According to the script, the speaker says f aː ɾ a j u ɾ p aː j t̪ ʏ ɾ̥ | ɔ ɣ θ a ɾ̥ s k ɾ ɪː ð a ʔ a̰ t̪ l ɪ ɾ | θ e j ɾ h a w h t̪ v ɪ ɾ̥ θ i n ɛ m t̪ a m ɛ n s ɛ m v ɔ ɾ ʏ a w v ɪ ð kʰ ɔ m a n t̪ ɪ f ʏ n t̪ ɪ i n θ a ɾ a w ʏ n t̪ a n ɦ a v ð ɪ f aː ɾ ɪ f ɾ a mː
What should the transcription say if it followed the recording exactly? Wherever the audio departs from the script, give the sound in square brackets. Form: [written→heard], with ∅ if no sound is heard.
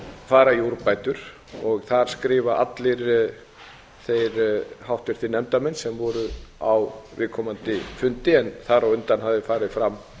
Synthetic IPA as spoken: f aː ɾ a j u ɾ p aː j t̪ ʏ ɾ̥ | ɔ ɣ θ a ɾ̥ s k ɾ ɪː [ð→v] a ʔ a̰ t̪ l ɪ ɾ | θ e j ɾ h a w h t̪ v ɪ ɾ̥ θ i n ɛ m t̪ a m ɛ n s ɛ m v ɔ ɾ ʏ a w v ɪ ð kʰ ɔ m a n t̪ ɪ f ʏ n t̪ ɪ [i→ɛ] n θ a ɾ a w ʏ n t̪ a n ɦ a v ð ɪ f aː ɾ ɪ f ɾ a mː